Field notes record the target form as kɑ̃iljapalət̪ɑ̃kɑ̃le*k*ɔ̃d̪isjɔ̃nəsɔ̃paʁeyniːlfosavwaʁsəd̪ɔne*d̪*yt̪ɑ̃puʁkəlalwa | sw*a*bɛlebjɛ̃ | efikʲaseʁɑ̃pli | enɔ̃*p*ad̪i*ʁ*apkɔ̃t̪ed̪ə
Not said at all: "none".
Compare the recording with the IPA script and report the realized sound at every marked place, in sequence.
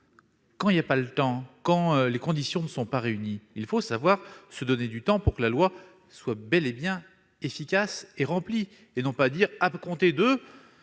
k, d̪, a, p, ʁ

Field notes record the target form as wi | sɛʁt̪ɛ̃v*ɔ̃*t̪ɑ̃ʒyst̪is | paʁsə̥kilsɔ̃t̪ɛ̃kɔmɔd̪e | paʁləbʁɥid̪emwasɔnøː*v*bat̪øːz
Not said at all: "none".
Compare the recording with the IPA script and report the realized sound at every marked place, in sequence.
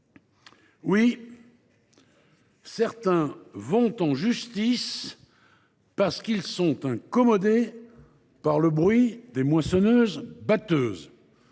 ɔ̃, z

